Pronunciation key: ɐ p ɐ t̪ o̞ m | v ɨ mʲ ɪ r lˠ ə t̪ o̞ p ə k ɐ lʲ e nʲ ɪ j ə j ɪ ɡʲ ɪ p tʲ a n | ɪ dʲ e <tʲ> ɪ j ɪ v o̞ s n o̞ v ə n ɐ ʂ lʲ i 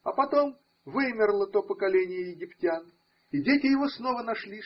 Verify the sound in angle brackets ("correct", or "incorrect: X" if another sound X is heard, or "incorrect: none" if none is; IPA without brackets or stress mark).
correct